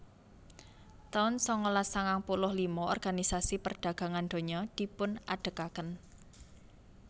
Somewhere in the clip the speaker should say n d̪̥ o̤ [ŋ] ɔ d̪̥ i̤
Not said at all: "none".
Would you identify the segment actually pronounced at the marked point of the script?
ɲ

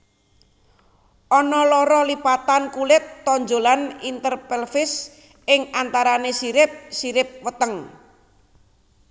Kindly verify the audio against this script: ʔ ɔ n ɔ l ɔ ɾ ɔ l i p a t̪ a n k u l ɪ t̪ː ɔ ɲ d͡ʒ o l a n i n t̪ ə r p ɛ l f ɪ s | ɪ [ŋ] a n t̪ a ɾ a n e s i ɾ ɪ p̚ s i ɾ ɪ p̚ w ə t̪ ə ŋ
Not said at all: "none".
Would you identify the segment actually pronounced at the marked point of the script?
ŋ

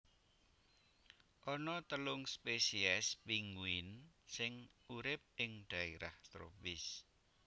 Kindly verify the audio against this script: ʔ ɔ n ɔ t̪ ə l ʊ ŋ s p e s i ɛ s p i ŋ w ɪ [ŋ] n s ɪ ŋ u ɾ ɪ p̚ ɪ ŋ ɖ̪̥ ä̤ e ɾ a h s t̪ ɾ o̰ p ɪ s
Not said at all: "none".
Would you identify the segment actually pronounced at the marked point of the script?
none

